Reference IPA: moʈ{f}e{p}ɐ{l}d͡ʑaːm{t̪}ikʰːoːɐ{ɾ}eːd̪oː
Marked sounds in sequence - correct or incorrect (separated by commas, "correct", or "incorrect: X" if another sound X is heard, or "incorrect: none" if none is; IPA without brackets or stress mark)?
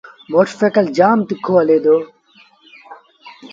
correct, incorrect: k, correct, correct, incorrect: l